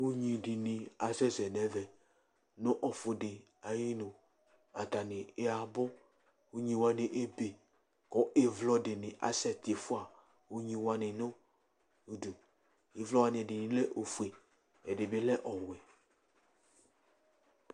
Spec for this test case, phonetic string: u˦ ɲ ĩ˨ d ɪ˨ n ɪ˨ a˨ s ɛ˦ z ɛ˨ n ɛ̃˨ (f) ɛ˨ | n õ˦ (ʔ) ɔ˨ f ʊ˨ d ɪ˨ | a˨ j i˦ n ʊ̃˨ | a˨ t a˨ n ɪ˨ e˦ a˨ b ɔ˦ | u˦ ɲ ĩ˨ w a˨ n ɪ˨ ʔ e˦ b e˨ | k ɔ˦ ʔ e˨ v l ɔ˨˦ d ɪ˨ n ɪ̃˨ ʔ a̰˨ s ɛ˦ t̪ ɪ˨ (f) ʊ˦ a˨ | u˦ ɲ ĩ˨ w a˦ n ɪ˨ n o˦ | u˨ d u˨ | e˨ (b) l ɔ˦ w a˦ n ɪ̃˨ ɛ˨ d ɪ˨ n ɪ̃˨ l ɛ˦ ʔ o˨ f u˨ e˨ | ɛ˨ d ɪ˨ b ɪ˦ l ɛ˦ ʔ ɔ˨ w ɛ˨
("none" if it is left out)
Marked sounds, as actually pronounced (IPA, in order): v, ʔ, f, v

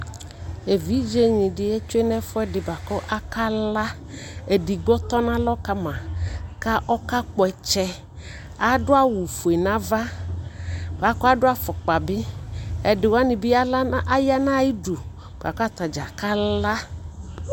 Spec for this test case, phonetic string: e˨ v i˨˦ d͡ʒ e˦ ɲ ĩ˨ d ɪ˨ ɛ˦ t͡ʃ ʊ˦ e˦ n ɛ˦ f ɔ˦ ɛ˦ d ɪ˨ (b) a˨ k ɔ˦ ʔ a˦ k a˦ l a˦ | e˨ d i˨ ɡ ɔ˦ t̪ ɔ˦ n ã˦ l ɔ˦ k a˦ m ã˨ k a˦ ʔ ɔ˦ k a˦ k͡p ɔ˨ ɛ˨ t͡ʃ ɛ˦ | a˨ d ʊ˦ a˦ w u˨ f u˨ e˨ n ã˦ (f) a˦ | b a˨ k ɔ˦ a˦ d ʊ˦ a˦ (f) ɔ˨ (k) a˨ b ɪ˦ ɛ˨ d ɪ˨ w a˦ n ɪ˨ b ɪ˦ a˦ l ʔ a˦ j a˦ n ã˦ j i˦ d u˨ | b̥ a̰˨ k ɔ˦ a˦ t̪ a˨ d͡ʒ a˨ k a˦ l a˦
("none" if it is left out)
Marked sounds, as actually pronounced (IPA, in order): b, v, f, k͡p

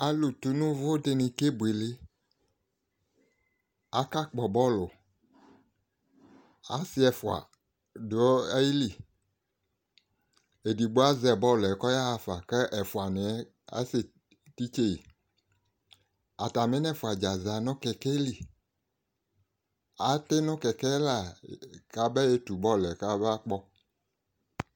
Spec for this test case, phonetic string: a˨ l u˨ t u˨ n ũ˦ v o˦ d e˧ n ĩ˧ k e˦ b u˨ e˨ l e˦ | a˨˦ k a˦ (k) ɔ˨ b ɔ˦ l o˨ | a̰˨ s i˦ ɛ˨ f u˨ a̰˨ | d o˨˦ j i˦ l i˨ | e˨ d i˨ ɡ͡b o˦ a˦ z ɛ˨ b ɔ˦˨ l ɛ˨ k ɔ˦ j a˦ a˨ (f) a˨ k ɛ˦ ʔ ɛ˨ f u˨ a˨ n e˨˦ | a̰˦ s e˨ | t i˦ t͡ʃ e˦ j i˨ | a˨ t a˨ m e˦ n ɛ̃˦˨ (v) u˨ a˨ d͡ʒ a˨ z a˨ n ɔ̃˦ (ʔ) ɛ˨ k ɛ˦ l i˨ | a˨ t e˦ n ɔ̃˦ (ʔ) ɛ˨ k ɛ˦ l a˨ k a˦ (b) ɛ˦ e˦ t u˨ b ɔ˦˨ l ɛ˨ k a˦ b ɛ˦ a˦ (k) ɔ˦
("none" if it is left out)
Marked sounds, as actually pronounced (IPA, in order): k͡p, f, f, k, k, b, k͡p

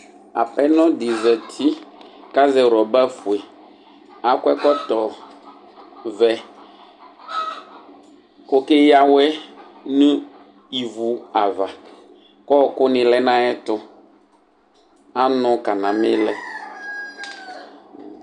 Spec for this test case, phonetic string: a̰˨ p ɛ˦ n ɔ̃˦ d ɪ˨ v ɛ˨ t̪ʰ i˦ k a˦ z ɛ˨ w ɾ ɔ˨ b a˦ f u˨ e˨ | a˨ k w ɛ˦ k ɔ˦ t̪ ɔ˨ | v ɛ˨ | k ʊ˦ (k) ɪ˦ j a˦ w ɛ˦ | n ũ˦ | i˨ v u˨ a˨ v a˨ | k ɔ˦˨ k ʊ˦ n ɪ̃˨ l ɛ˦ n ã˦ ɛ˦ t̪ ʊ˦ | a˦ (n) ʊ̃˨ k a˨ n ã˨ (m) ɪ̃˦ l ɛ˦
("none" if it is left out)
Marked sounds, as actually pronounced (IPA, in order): k, n, m

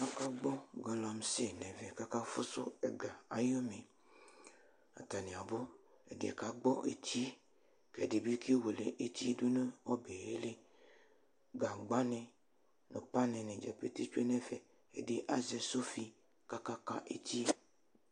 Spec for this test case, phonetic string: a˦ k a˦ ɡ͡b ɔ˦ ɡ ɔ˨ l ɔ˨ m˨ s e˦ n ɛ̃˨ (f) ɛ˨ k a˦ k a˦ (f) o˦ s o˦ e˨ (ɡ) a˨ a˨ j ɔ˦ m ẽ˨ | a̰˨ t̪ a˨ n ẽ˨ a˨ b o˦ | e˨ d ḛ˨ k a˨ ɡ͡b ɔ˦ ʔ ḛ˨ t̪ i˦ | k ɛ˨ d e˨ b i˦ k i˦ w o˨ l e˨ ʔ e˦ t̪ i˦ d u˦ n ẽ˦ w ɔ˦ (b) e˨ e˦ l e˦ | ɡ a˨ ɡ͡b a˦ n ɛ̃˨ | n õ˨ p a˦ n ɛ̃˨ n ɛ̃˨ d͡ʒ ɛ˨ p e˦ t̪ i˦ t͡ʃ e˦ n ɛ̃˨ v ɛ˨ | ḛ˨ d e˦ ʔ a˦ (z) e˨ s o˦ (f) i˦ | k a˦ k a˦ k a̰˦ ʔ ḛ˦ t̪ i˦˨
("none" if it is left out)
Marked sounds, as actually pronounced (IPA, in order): v, f, ɡ, b, z, f

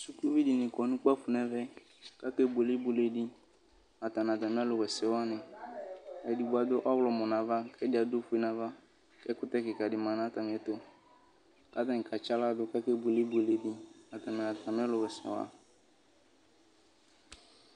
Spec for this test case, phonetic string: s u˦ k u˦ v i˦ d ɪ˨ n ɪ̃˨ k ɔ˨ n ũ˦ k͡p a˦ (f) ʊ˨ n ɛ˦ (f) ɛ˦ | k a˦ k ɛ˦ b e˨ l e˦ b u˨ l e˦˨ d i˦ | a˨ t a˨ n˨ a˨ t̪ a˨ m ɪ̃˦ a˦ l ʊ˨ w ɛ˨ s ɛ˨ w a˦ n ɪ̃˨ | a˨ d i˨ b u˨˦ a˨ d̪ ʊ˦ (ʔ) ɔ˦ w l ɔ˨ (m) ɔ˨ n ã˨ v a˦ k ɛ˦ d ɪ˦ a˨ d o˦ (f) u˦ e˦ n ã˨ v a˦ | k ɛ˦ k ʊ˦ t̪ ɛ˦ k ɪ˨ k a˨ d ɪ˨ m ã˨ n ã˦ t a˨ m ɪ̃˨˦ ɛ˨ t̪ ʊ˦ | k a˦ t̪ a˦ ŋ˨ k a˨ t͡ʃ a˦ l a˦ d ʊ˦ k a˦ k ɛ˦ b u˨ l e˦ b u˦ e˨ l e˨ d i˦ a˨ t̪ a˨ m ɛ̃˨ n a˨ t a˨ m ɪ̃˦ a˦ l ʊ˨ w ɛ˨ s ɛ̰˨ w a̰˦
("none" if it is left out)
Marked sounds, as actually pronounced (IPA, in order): f, v, ʔ, m, f

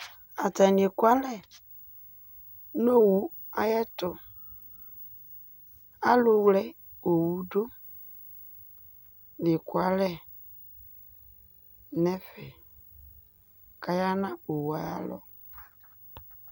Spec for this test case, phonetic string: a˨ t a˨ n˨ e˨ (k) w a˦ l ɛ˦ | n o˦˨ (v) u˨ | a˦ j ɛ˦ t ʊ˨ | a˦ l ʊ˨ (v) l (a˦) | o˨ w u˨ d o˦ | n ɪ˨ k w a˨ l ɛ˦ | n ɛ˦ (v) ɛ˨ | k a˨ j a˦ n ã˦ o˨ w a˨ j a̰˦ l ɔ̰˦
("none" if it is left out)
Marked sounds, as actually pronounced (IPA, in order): k, w, w, ɛ˦, f

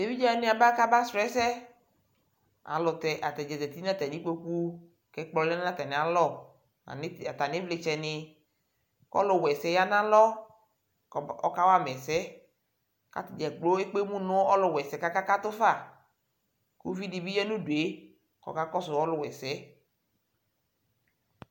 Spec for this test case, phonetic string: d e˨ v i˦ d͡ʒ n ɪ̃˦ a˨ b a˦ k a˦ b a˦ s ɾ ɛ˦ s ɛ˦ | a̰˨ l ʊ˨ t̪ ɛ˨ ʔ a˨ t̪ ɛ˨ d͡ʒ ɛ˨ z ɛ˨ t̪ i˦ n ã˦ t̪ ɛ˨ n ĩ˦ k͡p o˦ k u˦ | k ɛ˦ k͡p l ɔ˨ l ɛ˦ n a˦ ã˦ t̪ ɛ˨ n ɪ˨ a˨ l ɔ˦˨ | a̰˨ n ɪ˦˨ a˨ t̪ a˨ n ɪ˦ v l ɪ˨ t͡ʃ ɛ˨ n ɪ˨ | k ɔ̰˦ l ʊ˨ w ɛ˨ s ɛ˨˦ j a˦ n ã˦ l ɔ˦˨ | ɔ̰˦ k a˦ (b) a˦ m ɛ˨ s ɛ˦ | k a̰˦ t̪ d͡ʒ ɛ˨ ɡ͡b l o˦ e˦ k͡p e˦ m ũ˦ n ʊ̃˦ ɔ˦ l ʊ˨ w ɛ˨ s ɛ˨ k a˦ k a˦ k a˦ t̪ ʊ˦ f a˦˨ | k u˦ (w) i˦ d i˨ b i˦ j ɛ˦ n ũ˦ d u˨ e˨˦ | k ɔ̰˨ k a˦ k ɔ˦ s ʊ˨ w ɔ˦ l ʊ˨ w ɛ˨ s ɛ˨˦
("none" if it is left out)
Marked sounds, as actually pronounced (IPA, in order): w, v

